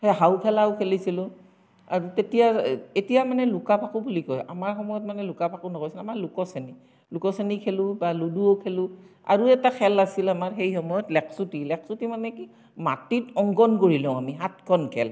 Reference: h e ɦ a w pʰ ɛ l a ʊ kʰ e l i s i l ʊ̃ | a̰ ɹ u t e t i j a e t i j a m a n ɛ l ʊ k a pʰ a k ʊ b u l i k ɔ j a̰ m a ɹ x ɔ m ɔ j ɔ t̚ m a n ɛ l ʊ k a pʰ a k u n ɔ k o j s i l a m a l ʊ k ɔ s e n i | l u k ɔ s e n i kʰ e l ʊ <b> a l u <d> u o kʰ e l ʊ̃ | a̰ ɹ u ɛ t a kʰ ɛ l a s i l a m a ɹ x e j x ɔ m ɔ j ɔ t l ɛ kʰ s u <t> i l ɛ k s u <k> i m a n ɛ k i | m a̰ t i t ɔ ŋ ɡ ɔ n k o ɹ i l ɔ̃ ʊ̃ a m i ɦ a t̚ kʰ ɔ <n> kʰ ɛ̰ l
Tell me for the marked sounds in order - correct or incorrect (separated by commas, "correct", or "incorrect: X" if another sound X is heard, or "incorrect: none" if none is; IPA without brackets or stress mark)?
correct, correct, correct, incorrect: t, correct